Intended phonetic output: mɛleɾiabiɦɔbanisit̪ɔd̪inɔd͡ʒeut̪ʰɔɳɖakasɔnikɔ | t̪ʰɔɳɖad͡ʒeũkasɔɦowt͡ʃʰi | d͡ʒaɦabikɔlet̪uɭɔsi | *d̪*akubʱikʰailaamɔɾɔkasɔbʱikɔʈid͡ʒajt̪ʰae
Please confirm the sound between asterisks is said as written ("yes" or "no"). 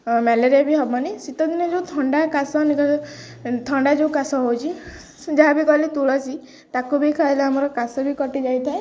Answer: no